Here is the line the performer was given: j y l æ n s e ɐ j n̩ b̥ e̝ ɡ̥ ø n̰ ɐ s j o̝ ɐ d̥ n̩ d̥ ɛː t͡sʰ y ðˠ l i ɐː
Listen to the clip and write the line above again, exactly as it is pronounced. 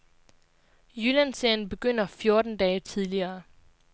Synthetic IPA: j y l æ n s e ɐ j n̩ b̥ e̝ ɡ̥ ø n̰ ɐ f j o̝ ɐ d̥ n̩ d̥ ɛː t͡sʰ i ðˠ l i ɐː